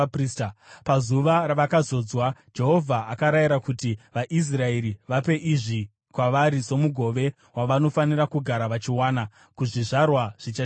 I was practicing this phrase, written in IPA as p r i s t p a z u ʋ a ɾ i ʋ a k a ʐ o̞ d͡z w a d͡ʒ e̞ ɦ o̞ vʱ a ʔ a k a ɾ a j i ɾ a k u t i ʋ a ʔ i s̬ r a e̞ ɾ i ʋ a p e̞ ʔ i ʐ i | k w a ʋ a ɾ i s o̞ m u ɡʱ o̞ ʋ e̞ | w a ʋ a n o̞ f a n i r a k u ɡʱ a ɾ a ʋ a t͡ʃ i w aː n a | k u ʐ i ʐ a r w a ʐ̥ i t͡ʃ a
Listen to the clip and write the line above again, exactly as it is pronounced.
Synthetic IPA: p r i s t p a z u ʋ a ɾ a ʋ a k a z o̞ d͡z w a d͡ʒ e̞ ɦ o̞ vʱ a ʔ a k a ɾ a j i ɾ a k u t i ʋ a ʔ i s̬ r a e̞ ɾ i ʋ a p e̞ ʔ i ʐ i | k w a ʋ a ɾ i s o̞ m u ɡʱ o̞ ʋ e̞ | w a ʋ a n o̞ f a n i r a k u ɡʱ a ɾ a ʋ a t͡ʃ i w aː n a | k u ʐ i ʐ a r w a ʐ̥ i t͡ʃ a